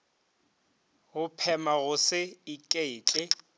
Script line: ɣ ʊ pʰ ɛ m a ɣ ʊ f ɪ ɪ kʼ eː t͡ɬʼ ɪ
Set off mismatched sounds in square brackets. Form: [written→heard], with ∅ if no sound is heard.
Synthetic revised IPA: ɣ ʊ pʰ ɛ m a ɣ ʊ [f→s] ɪ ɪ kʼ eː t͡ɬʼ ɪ